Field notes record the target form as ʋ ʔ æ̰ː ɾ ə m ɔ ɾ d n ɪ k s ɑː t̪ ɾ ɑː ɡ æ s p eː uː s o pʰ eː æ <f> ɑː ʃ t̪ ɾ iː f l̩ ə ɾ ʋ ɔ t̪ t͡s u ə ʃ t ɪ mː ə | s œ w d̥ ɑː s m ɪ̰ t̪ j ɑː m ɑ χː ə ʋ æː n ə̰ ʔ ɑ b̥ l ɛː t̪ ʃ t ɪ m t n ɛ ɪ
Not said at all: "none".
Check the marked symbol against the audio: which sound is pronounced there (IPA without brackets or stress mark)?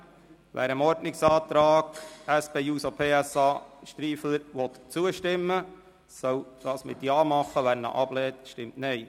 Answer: s